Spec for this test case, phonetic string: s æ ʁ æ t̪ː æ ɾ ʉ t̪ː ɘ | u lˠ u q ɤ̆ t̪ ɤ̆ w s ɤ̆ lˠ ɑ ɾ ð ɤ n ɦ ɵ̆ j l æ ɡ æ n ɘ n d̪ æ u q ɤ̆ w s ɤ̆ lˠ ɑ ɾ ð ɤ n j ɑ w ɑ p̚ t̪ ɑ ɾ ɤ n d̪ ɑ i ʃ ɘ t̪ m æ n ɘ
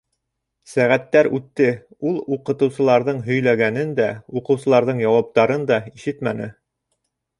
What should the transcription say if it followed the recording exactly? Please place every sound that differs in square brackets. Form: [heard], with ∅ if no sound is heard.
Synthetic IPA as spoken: s æ ʁ æ t̪ː æ ɾ ʉ t̪ː ɘ | u lˠ u q ɤ̆ t̪ ɤ̆ w s ɤ̆ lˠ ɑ ɾ ð ɤ [ɴ] ɦ ɵ̆ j l æ ɡ æ n ɘ n d̪ æ u q ɤ̆ w s ɤ̆ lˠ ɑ ɾ ð ɤ [ɴ] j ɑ w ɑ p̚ t̪ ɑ ɾ ɤ n d̪ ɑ i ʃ ɘ t̪ m æ n ɘ

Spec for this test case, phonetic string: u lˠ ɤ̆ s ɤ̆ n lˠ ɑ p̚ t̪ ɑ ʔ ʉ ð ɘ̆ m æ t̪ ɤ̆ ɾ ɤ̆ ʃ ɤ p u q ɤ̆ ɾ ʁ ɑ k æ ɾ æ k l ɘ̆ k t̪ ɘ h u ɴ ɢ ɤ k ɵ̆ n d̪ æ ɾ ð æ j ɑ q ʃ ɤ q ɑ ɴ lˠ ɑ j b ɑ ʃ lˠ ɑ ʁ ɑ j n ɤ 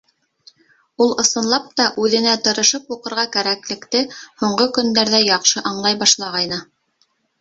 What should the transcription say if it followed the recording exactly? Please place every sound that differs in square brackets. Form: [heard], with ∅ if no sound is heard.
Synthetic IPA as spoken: u lˠ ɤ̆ s ɤ̆ n lˠ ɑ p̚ t̪ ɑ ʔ ʉ ð ɘ̆ [n] æ t̪ ɤ̆ ɾ ɤ̆ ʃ ɤ p u q ɤ̆ ɾ ʁ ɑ k æ ɾ æ k l ɘ̆ k t̪ ɘ h u ɴ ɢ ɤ k ɵ̆ n d̪ æ ɾ ð æ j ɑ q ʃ ɤ [ʔ] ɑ ɴ lˠ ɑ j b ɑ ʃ lˠ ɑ ʁ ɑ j n ɤ

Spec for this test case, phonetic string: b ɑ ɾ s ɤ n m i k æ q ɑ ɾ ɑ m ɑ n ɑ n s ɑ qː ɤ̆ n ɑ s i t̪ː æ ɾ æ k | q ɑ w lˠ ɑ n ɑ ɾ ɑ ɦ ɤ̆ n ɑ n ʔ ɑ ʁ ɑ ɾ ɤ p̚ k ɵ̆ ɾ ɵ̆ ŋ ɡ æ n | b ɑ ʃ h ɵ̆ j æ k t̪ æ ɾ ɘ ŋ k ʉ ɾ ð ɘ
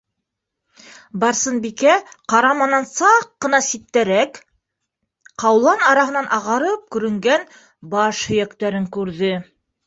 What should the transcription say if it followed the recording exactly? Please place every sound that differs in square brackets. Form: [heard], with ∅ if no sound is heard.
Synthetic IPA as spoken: b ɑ ɾ s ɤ n [b] i k æ q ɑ ɾ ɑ m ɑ n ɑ n s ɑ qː ɤ̆ n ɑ s i t̪ː æ ɾ æ k | q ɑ w lˠ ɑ n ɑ ɾ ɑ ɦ ɤ̆ n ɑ n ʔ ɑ ʁ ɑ ɾ ɤ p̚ k ɵ̆ ɾ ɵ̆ ŋ ɡ æ n | b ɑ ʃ h ɵ̆ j æ k t̪ æ ɾ ɘ ŋ k ʉ ɾ ð ɘ

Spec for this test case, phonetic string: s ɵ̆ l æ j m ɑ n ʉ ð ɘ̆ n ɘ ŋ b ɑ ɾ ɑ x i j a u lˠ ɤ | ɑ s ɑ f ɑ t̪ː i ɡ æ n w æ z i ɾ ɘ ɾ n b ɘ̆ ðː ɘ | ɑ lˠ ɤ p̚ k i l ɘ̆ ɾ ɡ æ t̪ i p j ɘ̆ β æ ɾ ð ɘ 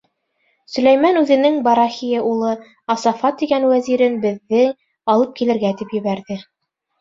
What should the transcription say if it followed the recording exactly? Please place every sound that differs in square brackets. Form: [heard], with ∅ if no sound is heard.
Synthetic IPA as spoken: s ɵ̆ l æ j m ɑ n ʉ ð ɘ̆ n ɘ ŋ b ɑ ɾ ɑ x i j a u lˠ ɤ | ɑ s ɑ f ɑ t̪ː i ɡ æ n w æ z i ɾ ɘ [∅] n b ɘ̆ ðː ɘ | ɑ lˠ ɤ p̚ k i l ɘ̆ ɾ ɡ æ t̪ i p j ɘ̆ β æ ɾ ð ɘ

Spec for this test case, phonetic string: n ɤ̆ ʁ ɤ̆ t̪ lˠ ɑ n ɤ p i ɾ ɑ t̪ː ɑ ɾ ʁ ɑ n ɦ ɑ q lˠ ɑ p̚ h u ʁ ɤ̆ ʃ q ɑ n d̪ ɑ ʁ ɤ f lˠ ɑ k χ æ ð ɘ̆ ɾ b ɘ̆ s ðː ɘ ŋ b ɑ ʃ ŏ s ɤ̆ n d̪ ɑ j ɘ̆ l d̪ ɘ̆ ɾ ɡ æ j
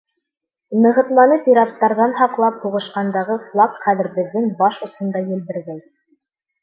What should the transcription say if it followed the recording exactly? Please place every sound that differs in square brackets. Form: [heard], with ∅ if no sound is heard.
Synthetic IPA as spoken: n ɤ̆ ʁ ɤ̆ t̪ lˠ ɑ n ɤ p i ɾ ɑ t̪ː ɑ ɾ [ð] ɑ n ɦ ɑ q lˠ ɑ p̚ h u ʁ ɤ̆ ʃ q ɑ n d̪ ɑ ʁ ɤ f lˠ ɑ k χ æ ð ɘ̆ ɾ b ɘ̆ [∅] ðː ɘ ŋ b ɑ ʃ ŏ s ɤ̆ n d̪ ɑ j ɘ̆ l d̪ ɘ̆ ɾ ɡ æ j

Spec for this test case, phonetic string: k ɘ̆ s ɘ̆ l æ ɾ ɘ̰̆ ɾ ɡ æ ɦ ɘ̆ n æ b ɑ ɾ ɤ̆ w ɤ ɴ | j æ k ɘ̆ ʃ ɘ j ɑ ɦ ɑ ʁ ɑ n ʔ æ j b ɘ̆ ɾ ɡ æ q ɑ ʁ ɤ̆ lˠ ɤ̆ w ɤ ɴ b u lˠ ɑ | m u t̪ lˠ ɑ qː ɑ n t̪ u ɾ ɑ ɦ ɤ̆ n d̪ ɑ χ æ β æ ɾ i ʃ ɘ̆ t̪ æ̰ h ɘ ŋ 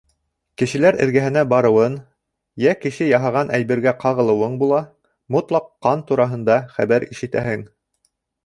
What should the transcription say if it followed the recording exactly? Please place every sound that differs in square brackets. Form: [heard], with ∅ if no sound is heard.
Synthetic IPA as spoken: k ɘ̆ [ʃ] ɘ̆ l æ ɾ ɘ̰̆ ɾ ɡ æ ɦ ɘ̆ n æ b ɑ ɾ ɤ̆ w ɤ [n] | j æ k ɘ̆ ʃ ɘ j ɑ ɦ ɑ ʁ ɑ n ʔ æ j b ɘ̆ ɾ ɡ æ q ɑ ʁ ɤ̆ lˠ ɤ̆ w ɤ ɴ b u lˠ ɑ | m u t̪ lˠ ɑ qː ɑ n t̪ u ɾ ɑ ɦ ɤ̆ n d̪ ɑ χ æ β æ ɾ i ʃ ɘ̆ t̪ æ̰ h ɘ ŋ

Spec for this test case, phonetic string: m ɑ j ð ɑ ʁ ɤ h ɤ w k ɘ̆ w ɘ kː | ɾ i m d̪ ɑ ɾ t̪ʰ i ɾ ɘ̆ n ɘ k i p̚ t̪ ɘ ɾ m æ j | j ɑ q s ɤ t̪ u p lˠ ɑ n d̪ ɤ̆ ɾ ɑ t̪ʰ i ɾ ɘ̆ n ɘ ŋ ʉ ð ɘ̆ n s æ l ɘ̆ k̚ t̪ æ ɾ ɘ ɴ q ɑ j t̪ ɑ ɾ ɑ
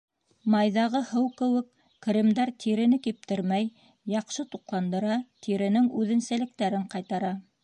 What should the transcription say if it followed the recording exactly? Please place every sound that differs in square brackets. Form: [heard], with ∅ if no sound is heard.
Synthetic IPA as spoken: m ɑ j ð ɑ ʁ ɤ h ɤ w k ɘ̆ w ɘ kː | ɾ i m d̪ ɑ ɾ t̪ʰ i ɾ ɘ̆ n ɘ k i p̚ t̪ ɘ ɾ m æ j | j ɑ q [ʃ] ɤ t̪ u [q] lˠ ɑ n d̪ ɤ̆ ɾ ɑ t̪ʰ i ɾ ɘ̆ n ɘ ŋ ʉ ð ɘ̆ n s æ l ɘ̆ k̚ t̪ æ ɾ ɘ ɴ q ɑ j t̪ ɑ ɾ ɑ

